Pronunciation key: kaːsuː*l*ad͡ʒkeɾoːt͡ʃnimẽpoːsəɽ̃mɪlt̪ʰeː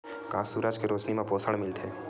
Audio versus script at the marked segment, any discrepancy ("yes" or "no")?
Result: yes